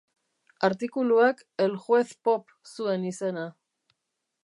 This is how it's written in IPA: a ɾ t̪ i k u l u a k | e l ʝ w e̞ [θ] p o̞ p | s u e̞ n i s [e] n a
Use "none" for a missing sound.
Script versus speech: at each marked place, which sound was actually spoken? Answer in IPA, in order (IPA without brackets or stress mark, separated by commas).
θ, e